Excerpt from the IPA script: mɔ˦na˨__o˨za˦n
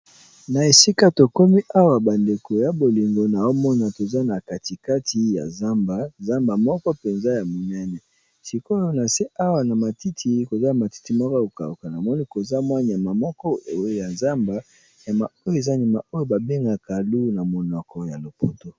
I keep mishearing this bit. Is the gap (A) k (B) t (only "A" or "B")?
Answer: B